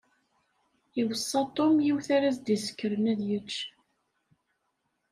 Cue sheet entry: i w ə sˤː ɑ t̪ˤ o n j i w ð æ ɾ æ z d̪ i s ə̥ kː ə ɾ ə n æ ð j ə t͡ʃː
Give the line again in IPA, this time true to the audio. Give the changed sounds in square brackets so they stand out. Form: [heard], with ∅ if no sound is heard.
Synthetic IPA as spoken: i w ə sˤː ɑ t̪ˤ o [m] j i w [θ] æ ɾ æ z d̪ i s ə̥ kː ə ɾ ə n æ ð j ə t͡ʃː